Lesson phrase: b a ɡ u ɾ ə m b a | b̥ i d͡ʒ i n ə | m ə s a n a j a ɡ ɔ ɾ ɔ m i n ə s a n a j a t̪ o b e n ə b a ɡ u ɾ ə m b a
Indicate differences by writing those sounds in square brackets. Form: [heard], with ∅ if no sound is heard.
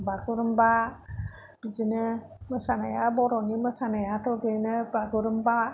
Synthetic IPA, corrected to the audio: b a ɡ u ɾ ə m b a | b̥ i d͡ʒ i n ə | m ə s a n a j a [b] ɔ ɾ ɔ [n] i [m] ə s a n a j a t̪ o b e n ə b a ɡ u ɾ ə m b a

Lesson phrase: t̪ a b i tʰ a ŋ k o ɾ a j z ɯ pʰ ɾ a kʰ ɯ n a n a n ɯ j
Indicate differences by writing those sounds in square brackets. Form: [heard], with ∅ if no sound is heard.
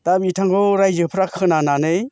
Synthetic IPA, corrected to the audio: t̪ a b i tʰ a ŋ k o ɾ a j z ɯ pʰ ɾ a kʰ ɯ n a n a n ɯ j

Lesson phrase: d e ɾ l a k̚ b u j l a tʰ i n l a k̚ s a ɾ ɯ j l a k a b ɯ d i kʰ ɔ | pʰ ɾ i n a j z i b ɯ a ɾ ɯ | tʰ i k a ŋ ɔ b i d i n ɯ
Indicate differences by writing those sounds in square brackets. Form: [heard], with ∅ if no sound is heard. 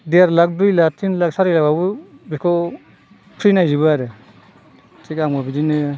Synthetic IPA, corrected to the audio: d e ɾ l a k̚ [d] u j l a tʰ i n l a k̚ s a ɾ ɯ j l a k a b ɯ [b] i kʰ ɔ | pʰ ɾ i n a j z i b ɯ a ɾ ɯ | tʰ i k a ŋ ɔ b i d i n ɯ

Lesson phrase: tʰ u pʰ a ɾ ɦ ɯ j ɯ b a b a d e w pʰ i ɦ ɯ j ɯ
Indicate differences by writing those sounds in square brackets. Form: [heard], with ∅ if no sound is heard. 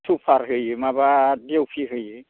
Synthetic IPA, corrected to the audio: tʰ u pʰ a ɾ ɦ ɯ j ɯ [m] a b a d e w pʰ i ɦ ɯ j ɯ

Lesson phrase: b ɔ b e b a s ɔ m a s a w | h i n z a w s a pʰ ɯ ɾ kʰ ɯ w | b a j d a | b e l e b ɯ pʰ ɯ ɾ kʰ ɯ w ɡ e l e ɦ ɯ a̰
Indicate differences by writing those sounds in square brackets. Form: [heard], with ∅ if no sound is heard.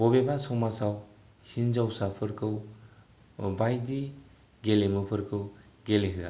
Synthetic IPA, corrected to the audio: b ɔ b e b a s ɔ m a s a w | h i n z a w s a pʰ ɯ ɾ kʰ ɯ w | b a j d [i] | [ɡ] e l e [m] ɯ pʰ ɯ ɾ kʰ ɯ w ɡ e l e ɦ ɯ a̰

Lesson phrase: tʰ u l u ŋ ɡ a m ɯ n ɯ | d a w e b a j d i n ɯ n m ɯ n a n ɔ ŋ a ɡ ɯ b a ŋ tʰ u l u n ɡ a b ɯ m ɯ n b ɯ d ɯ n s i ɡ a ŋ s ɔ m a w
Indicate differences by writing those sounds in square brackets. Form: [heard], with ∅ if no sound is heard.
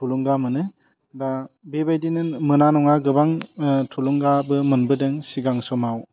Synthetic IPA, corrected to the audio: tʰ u l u ŋ ɡ a m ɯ n ɯ | d a [b] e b a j d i n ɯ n m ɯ n a n ɔ ŋ a ɡ ɯ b a ŋ tʰ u l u [ŋ] ɡ a b ɯ m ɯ n b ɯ d ɯ [ŋ] s i ɡ a ŋ s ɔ m a w

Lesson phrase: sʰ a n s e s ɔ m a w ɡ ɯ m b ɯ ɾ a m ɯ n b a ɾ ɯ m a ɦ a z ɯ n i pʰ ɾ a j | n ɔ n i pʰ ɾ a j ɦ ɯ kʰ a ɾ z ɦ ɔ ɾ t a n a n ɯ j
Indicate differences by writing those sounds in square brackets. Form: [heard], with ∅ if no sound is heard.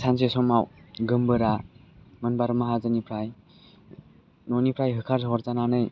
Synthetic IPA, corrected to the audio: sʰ a n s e s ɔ m a w ɡ ɯ m b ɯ ɾ a m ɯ n b a ɾ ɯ m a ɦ a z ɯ n i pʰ ɾ a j | n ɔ n i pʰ ɾ a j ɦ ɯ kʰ a ɾ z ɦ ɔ ɾ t a n a n ɯ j

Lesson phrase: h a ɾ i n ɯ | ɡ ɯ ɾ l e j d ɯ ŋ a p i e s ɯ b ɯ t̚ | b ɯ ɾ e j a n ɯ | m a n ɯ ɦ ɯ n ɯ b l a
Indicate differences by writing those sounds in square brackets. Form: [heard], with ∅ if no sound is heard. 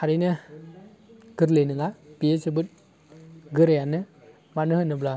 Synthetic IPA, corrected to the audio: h a ɾ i n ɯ | ɡ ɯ ɾ l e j [n] ɯ ŋ a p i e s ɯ b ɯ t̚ | [ɡ] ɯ ɾ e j a n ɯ | m a n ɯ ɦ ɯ n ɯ b l a

